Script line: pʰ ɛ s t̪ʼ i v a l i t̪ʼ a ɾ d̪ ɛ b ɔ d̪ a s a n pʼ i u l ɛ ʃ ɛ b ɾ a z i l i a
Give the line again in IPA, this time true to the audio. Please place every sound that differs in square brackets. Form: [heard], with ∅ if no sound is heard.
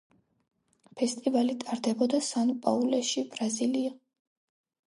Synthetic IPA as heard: pʰ ɛ s t̪ʼ i v a l i t̪ʼ a ɾ d̪ ɛ b ɔ d̪ a s a n pʼ [a] u l ɛ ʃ [i] b ɾ a z i l i a

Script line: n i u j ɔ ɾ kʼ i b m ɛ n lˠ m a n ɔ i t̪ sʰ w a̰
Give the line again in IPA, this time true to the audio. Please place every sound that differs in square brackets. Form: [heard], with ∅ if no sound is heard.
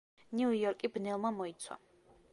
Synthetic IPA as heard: n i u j ɔ ɾ kʼ i b [n] ɛ [∅] lˠ m a [m] ɔ i t̪ sʰ w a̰

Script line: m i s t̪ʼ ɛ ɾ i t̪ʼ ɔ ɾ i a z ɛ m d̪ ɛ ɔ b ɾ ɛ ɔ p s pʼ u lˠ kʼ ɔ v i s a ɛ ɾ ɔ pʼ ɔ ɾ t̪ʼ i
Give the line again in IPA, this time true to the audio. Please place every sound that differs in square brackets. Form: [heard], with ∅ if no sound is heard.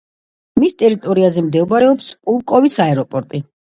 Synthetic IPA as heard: m i s t̪ʼ ɛ ɾ i t̪ʼ ɔ ɾ i a z ɛ m d̪ ɛ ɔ b ɾ ɛ ɔ p s pʼ u lˠ kʼ ɔ v i s a ɛ ɾ ɔ pʼ ɔ ɾ t̪ʼ i

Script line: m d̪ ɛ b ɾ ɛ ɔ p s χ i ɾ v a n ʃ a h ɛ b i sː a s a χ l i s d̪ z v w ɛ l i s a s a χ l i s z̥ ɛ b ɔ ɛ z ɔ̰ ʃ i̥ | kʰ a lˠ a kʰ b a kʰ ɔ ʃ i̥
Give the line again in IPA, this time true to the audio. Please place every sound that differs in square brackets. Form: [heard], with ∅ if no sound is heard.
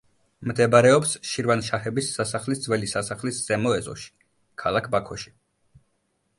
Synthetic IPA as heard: m d̪ ɛ b ɾ ɛ ɔ p s [ʃ] i ɾ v a n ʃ a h ɛ b i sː a s a χ l i s d̪ z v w ɛ l i s a s a χ l i s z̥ ɛ [m] ɔ ɛ z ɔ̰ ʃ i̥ | kʰ a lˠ a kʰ b a kʰ ɔ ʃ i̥

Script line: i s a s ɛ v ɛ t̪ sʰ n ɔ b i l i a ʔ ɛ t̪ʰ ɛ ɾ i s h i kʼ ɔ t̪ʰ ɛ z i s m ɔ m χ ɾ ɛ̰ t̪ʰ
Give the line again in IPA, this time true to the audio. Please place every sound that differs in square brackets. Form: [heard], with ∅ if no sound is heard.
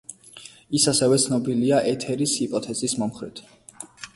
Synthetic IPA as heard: i s a s ɛ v ɛ t̪ sʰ n ɔ b i l i a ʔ ɛ t̪ʰ ɛ ɾ i s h i [pʼ] ɔ t̪ʰ ɛ z i s m ɔ m χ ɾ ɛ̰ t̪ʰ

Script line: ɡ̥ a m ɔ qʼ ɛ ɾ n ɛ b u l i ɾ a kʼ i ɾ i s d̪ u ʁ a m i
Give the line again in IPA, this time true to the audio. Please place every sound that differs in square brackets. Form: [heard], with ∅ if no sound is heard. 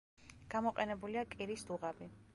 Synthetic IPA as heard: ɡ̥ a m ɔ qʼ ɛ [∅] n ɛ b u l i [∅] a kʼ i ɾ i s d̪ u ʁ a [b] i

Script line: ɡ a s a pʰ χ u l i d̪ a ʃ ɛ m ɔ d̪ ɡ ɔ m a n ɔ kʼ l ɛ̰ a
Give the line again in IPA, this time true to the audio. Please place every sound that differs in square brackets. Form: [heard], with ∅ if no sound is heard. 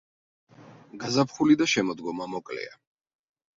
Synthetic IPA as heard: ɡ a [z] a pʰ χ u l i d̪ a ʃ ɛ m ɔ d̪ ɡ ɔ m a [m] ɔ kʼ l ɛ̰ a

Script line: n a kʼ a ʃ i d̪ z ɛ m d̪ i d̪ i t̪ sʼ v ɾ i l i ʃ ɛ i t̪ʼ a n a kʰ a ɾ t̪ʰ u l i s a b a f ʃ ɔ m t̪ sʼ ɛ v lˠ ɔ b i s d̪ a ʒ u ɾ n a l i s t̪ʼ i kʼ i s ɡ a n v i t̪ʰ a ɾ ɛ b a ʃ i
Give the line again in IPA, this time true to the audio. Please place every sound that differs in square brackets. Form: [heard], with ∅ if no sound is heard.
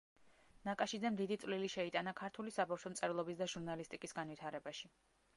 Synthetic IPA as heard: n a kʼ a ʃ i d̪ z ɛ m d̪ i d̪ i t̪ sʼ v [l] i l i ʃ ɛ i t̪ʼ a n a kʰ a ɾ t̪ʰ u l i s a b a f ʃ ɔ m t̪ sʼ ɛ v lˠ ɔ b i s d̪ a ʒ u ɾ n a l i s t̪ʼ i kʼ i s ɡ a n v i t̪ʰ a ɾ ɛ b a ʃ i

